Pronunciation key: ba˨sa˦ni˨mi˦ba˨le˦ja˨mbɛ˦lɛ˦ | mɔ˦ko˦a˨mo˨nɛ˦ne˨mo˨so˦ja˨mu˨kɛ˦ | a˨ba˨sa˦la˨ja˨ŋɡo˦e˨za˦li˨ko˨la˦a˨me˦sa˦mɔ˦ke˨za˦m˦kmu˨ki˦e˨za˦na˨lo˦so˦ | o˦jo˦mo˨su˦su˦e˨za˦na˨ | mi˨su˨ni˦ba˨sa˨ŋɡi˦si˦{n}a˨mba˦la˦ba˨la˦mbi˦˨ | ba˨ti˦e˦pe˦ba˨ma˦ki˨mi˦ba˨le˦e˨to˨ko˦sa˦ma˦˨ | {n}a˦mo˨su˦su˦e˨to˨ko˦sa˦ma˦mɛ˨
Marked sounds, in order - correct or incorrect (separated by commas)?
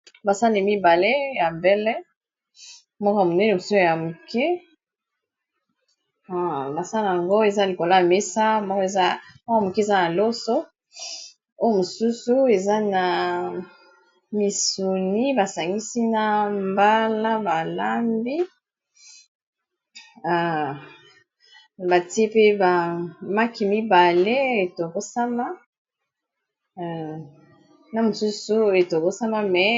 correct, correct